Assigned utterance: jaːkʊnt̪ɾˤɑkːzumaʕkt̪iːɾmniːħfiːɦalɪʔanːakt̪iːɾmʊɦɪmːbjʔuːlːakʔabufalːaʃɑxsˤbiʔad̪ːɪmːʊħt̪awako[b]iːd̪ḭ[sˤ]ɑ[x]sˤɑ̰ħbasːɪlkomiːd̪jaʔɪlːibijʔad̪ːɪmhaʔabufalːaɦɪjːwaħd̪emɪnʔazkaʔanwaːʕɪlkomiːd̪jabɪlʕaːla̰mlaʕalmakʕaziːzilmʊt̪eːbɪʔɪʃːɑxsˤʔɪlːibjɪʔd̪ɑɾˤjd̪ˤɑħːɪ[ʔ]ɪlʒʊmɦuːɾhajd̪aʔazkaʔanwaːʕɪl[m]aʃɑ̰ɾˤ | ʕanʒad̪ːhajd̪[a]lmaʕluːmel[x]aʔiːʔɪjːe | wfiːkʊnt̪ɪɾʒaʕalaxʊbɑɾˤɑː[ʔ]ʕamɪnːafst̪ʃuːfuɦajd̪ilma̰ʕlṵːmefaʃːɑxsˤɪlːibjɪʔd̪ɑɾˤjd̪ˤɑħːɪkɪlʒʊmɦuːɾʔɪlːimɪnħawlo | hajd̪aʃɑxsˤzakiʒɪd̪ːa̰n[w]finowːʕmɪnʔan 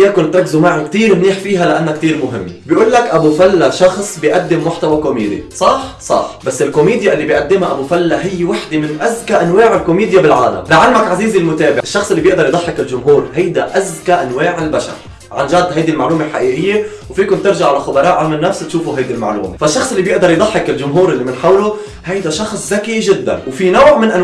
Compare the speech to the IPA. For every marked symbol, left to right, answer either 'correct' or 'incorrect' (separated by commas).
incorrect, correct, incorrect, incorrect, incorrect, incorrect, incorrect, correct, correct